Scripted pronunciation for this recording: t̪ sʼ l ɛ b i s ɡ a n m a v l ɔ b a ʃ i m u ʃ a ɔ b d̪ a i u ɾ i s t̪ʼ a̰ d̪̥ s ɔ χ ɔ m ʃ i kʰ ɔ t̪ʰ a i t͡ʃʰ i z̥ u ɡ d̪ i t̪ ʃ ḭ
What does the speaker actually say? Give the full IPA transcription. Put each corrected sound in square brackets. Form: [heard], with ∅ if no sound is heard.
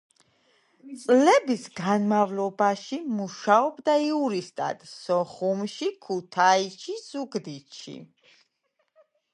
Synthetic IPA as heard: t̪ sʼ l ɛ b i s ɡ a n m a v l ɔ b a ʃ i m u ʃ a ɔ b d̪ a i u ɾ i s t̪ʼ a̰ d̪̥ s ɔ χ [u] m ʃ i kʰ [u] t̪ʰ a i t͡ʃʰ i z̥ u ɡ d̪ i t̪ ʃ ḭ